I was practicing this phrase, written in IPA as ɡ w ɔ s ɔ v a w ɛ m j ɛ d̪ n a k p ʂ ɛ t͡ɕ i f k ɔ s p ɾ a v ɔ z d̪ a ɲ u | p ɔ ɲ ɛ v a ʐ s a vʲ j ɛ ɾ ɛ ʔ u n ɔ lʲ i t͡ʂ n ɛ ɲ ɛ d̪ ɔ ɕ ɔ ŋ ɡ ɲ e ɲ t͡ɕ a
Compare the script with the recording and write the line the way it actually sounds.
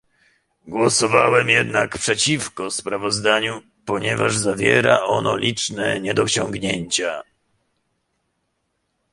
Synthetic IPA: ɡ w ɔ s ɔ v a w ɛ m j ɛ d̪ n a k p ʂ ɛ t͡ɕ i f k ɔ s p ɾ a v ɔ z d̪ a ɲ u | p ɔ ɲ ɛ v a ʐ z a vʲ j ɛ ɾ a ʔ ɔ n ɔ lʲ i t͡ʂ n ɛ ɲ ɛ d̪ ɔ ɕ ɔ ŋ ɡ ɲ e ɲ t͡ɕ a